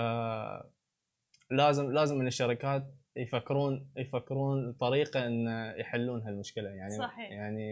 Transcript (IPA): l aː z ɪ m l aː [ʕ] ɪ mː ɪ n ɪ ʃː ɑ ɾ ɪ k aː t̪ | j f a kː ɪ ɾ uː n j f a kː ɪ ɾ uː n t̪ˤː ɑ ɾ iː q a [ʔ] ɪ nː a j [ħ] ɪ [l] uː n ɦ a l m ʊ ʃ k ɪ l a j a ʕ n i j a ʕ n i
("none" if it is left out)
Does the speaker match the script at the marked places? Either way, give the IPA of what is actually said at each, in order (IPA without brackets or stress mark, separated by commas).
z, ʔ, ħ, lː